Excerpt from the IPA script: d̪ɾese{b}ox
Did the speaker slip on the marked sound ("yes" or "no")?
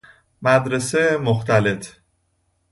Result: yes